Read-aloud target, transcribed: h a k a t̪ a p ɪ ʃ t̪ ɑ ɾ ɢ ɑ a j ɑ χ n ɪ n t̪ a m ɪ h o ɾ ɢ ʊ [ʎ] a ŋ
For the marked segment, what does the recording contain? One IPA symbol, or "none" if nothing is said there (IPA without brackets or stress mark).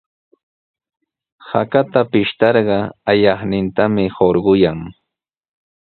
j